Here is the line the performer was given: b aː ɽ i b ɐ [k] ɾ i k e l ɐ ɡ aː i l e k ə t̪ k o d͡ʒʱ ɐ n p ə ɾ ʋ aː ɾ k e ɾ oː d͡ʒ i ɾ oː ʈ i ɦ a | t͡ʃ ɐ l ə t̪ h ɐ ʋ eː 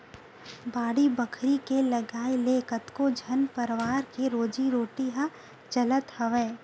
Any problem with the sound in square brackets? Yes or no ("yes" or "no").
yes